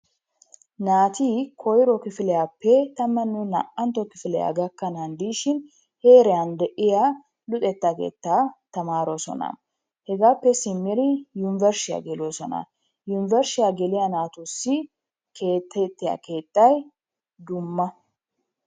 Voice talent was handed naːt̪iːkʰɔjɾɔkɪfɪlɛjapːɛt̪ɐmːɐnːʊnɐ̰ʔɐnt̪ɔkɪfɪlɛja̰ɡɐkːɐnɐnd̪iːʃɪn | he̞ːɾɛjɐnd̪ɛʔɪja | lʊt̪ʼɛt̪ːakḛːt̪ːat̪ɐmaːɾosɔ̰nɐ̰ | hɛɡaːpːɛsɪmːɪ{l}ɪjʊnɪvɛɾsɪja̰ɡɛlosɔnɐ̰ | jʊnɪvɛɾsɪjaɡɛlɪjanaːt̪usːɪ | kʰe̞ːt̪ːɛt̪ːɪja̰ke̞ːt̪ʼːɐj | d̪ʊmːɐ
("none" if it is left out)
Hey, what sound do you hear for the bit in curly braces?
ɾ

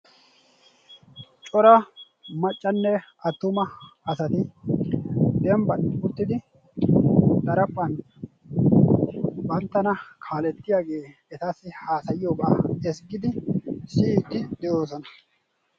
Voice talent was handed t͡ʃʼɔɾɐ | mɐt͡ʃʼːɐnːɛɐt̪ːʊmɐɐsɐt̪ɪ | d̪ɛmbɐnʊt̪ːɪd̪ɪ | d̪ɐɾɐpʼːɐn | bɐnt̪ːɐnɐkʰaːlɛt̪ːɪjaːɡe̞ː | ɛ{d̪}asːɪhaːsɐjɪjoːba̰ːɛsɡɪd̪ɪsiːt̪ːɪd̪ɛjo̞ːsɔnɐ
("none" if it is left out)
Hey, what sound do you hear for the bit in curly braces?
t̪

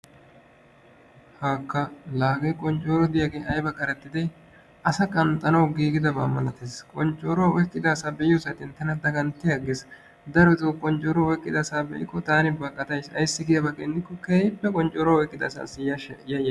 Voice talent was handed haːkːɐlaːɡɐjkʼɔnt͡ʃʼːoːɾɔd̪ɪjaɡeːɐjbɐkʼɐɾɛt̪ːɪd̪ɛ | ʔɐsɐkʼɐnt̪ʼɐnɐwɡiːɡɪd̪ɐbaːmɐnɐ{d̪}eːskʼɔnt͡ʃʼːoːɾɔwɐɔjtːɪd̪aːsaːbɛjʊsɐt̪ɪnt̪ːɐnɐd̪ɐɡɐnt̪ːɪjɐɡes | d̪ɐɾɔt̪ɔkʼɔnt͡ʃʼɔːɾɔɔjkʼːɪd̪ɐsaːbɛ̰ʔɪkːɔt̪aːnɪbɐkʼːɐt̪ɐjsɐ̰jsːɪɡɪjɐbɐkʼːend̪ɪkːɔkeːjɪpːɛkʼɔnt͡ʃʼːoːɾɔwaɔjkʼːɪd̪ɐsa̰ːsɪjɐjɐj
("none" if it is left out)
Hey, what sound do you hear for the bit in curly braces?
t̪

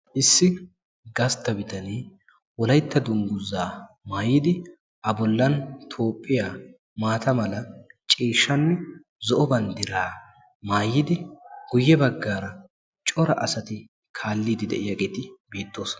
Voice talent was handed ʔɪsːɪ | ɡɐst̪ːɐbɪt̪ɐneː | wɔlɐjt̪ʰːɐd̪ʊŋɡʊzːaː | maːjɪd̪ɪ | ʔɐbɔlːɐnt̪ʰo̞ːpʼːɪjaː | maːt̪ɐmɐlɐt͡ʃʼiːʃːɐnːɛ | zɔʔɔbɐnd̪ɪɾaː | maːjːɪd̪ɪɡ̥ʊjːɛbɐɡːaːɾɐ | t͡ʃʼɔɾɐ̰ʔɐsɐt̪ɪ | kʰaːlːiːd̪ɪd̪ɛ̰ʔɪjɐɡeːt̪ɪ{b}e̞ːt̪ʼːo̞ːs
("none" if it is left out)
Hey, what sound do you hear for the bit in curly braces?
b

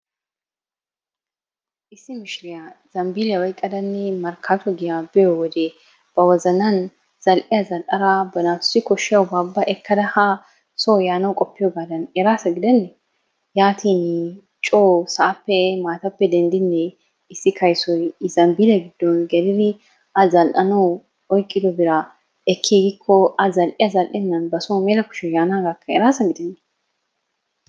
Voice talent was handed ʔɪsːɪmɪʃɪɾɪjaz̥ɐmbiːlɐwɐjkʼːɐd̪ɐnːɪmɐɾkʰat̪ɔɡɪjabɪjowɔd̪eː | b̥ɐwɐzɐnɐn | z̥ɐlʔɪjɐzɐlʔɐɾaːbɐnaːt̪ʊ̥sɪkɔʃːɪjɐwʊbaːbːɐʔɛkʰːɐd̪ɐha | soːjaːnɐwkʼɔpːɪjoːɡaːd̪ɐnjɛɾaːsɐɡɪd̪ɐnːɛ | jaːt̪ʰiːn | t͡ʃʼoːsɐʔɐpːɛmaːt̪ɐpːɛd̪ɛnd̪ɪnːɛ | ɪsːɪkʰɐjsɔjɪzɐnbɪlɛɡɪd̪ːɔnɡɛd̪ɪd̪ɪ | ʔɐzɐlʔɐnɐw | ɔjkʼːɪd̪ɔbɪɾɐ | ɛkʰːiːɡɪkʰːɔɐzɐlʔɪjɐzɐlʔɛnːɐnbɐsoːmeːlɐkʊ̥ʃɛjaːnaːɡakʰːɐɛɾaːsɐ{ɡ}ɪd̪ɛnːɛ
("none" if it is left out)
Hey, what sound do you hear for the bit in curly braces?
ɡ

